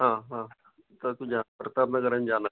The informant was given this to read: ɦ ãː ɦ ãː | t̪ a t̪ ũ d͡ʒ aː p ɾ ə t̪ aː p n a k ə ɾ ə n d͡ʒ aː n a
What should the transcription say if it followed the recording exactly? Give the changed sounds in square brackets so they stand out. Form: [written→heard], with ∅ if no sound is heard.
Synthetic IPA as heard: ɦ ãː ɦ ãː | t̪ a t̪ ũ d͡ʒ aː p ɾ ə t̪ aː p n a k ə ɾ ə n d͡ʒ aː n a